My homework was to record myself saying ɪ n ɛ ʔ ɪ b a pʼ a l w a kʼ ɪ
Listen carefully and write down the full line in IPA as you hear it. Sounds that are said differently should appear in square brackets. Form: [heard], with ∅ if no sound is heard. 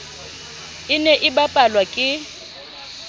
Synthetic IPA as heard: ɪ n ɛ ʔ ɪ b a pʼ a l w a kʼ ɪ